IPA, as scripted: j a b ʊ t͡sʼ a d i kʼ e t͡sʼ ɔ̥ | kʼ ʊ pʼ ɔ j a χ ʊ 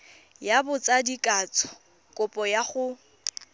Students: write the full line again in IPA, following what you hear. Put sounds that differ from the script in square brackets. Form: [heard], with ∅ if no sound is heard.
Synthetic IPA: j a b ʊ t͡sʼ a d i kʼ [a] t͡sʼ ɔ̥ | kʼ ʊ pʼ ɔ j a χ ʊ